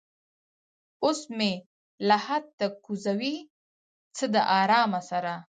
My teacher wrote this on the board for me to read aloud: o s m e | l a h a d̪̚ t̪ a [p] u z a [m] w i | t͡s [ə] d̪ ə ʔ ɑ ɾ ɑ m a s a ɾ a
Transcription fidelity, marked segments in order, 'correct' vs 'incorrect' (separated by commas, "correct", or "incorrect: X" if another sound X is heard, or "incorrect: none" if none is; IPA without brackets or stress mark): incorrect: k, incorrect: none, correct